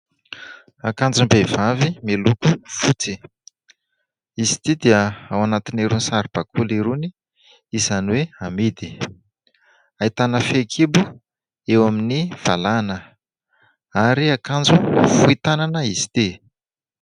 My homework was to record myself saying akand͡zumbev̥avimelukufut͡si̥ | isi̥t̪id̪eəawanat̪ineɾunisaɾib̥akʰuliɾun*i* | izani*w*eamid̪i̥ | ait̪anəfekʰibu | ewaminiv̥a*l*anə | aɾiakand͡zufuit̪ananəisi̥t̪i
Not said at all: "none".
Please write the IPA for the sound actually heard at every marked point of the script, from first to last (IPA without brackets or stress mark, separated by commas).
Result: i, w, l